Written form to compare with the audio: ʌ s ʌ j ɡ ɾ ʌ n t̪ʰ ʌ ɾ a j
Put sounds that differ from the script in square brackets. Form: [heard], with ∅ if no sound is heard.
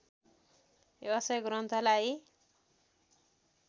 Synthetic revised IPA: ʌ s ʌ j ɡ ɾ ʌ n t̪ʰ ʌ [l] a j